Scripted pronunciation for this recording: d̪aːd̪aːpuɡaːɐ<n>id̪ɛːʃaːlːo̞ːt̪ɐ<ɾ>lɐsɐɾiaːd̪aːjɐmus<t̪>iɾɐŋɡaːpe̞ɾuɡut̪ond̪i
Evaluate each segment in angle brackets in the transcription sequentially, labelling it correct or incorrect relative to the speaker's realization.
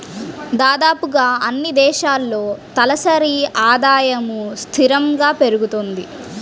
incorrect: nː, incorrect: none, incorrect: t̪ʰ

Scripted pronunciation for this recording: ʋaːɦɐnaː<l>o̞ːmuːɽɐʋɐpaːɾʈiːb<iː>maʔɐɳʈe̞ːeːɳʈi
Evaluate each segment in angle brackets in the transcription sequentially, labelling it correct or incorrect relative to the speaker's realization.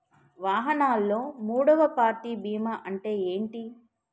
incorrect: lː, correct

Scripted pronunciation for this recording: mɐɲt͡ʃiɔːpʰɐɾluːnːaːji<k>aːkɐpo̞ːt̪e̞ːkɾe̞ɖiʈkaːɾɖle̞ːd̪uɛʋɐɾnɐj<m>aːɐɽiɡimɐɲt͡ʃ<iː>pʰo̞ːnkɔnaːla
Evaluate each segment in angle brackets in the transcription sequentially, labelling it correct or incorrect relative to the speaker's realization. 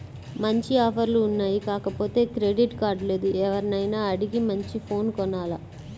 correct, incorrect: n, incorrect: i

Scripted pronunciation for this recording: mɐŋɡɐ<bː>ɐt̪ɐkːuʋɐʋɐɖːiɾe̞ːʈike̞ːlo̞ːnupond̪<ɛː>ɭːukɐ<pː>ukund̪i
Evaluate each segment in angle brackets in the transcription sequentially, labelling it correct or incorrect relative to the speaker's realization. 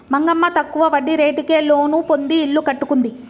incorrect: mː, incorrect: iː, incorrect: ʈː

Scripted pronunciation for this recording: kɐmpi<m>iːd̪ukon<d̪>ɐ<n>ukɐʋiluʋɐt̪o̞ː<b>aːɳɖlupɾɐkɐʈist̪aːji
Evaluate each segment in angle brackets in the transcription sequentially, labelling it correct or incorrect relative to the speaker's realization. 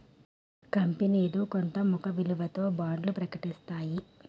incorrect: n, incorrect: t̪, incorrect: m, correct

